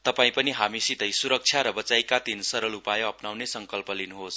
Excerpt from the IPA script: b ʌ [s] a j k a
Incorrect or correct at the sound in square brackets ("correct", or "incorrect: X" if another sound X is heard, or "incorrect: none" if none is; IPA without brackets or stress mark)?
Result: incorrect: t͡s